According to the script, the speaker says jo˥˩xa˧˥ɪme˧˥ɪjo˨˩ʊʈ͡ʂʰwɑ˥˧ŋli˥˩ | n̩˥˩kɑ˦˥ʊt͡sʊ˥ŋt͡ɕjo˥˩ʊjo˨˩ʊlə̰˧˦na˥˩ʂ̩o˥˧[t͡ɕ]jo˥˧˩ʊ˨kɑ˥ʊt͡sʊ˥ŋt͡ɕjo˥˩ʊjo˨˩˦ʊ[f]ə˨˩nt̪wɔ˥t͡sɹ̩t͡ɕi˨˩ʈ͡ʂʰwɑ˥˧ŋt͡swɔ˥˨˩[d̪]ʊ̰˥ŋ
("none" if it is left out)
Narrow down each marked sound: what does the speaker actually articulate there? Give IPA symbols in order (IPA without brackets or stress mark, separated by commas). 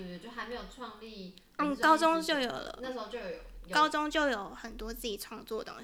t͡ɕ, x, t̪